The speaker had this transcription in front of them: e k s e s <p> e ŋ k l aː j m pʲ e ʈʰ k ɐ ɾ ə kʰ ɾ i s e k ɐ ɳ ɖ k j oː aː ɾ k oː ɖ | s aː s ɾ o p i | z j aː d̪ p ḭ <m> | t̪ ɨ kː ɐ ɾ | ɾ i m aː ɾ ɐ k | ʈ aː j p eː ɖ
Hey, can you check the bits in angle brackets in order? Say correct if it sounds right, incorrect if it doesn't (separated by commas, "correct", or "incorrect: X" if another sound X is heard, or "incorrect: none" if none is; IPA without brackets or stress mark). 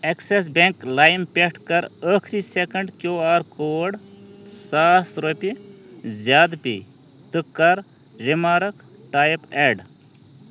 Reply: incorrect: b, incorrect: none